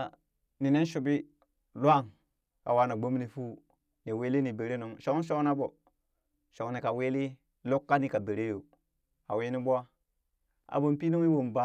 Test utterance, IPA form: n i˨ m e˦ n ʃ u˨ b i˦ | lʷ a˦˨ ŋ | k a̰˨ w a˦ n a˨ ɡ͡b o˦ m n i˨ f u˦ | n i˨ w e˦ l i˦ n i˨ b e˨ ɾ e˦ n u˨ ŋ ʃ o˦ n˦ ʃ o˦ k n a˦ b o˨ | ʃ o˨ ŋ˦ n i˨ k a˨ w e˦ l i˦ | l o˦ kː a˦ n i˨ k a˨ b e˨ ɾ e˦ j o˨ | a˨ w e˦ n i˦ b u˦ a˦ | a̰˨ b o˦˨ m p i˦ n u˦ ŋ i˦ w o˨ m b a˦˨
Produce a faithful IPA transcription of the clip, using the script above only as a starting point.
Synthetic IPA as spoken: n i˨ n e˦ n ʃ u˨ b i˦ | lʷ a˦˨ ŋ | k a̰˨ w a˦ n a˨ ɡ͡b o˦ m n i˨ f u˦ | n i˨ w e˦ l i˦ n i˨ b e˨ ɾ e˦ n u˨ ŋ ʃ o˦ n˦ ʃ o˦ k n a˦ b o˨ | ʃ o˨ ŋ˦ n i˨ k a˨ w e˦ l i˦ | l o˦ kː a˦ n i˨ k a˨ b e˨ ɾ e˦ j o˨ | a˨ w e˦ n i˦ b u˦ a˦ | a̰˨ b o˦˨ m p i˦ n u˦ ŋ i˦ w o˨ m b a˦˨

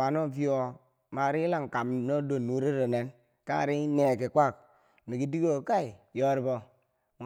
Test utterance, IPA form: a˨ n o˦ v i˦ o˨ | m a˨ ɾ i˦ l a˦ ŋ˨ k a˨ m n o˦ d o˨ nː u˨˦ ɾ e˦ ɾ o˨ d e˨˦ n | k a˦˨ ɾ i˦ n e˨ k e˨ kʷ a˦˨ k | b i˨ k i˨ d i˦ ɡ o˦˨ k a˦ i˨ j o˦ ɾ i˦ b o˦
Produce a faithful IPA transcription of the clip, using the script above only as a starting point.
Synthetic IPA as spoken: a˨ n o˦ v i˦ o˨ | m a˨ ɾ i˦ l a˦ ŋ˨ k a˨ m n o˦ d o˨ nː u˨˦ ɾ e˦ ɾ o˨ n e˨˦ n | k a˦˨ ɾ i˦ n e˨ k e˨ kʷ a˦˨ k | m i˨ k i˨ d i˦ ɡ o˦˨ k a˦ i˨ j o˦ ɾ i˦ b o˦

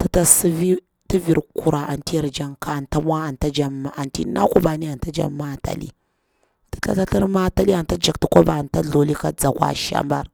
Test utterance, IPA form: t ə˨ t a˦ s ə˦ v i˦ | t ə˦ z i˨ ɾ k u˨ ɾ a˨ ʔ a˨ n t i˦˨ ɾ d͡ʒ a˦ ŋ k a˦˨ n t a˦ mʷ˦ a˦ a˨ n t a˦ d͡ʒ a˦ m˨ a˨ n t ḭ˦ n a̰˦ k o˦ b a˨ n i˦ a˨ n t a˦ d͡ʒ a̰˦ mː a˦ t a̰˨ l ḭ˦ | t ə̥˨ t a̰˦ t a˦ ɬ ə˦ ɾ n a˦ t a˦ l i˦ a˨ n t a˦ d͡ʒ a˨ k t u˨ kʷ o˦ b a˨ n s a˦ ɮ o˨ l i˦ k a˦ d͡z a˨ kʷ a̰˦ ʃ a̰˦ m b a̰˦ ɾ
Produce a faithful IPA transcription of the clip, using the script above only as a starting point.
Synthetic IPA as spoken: t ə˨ t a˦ s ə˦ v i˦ | t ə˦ v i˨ ɾ k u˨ ɾ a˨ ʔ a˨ n t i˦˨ ɾ d͡ʒ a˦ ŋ k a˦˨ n t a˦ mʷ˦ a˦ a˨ n t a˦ d͡ʒ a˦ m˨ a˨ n t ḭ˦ n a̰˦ k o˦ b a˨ n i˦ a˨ n t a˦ d͡ʒ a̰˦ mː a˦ t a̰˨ l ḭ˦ | t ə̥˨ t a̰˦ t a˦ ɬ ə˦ ɾ m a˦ t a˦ l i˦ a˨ n t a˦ d͡ʒ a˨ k t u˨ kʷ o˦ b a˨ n t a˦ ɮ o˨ l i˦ k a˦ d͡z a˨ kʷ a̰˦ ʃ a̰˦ m b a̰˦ ɾ

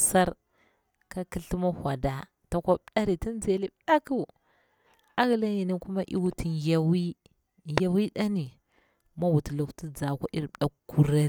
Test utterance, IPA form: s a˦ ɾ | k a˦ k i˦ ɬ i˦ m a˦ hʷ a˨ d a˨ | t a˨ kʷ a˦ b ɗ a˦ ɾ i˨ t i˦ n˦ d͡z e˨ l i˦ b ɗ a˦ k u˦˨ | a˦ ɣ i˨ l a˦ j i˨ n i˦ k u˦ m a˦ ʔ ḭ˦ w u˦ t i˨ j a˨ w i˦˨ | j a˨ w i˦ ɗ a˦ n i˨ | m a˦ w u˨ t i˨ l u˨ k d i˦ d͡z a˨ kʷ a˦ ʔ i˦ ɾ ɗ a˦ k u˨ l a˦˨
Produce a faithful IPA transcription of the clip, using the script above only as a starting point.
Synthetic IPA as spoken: s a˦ ɾ | k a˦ k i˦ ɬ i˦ m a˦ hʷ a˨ d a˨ | t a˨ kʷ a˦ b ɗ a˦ ɾ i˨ t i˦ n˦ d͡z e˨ l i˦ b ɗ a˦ k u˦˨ | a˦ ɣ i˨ l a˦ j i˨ n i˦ k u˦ m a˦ ʔ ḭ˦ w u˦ t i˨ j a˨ w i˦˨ | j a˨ w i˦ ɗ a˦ n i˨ | m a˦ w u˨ t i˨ l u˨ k t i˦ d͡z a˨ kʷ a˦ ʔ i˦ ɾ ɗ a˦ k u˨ ɾ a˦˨

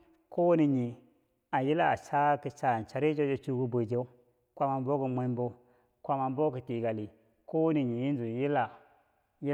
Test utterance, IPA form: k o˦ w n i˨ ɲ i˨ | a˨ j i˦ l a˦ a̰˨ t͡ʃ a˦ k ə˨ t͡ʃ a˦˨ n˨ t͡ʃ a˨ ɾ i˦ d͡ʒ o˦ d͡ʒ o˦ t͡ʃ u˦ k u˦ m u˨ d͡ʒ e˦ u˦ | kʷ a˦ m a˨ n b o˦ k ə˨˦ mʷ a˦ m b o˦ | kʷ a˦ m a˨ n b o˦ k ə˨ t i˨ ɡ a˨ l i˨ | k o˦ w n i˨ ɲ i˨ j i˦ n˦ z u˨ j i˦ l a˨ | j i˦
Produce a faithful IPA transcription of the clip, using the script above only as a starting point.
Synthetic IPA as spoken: k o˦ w n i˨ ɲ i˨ | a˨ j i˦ l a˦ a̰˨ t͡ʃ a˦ k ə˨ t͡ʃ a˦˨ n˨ t͡ʃ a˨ ɾ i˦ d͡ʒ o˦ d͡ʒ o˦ t͡ʃ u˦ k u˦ b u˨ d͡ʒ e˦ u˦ | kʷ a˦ m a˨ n b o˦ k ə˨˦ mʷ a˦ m b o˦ | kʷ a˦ m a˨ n b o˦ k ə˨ t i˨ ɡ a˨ l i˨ | k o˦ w n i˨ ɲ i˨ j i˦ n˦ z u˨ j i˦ l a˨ | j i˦

